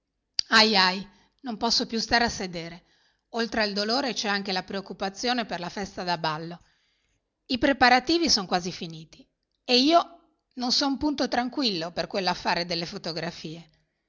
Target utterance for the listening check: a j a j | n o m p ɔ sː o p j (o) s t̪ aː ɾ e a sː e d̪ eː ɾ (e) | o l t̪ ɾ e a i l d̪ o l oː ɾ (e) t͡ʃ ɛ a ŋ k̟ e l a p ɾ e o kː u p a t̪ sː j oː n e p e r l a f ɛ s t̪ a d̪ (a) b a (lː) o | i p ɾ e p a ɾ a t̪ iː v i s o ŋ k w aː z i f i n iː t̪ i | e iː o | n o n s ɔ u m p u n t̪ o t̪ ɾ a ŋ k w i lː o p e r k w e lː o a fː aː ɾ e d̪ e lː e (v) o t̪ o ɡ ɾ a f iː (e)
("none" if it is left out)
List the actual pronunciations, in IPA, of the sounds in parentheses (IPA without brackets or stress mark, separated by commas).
u, e, e, a, lː, f, e